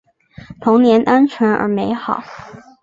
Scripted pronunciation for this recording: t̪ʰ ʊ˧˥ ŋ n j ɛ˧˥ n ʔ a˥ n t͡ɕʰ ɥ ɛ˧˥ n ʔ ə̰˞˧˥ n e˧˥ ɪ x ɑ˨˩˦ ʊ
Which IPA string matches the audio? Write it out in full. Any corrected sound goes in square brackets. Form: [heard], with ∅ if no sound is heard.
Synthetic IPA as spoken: t̪ʰ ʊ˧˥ ŋ n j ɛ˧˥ n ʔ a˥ n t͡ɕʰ ɥ ɛ˧˥ n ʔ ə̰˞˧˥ [m] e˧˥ ɪ x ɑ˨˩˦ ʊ